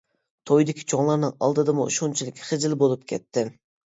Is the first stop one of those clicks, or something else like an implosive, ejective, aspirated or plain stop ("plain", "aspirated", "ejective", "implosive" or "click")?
aspirated